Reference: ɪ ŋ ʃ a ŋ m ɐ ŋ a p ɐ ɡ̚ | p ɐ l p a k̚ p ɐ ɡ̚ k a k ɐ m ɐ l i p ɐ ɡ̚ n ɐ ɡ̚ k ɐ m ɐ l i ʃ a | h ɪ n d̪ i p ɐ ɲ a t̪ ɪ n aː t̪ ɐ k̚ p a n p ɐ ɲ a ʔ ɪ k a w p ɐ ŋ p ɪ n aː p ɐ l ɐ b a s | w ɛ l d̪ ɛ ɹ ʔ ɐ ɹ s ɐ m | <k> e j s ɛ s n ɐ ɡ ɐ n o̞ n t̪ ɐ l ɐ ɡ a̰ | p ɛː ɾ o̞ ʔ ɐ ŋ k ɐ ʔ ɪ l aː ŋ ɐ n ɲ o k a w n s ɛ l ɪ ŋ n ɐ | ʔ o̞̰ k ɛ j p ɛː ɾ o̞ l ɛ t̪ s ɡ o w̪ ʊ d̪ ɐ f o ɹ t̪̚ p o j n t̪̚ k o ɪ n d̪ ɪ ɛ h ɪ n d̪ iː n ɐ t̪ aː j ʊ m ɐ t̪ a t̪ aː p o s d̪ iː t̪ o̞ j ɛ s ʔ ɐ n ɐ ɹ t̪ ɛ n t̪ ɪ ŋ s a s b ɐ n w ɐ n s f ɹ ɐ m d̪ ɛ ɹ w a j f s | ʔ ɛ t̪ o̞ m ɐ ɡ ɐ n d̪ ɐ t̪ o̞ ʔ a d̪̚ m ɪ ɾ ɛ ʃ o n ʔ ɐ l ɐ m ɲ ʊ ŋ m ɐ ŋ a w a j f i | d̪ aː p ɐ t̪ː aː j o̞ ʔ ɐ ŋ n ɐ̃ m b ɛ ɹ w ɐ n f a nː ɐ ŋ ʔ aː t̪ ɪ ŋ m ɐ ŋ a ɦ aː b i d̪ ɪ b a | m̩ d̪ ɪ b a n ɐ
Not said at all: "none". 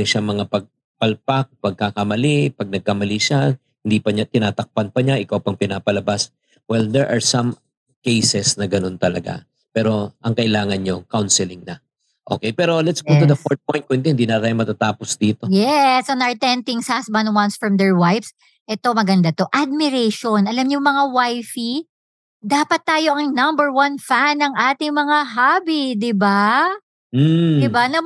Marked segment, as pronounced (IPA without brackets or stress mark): k